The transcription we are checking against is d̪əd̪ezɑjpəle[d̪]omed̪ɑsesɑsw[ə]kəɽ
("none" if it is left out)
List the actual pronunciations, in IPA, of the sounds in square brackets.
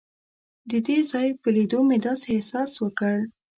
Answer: d̪, ə

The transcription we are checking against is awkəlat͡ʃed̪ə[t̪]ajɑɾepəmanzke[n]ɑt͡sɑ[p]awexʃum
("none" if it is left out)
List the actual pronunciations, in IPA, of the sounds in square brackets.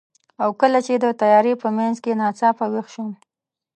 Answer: t̪, n, p

